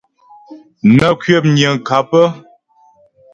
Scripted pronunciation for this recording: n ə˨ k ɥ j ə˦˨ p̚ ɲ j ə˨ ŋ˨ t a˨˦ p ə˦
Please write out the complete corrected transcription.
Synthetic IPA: n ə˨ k ɥ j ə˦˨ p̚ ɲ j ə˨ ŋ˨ k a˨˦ p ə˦